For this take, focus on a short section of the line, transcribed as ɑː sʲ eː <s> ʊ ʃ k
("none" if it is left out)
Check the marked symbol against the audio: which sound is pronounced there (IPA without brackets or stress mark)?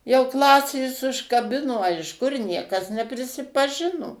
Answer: s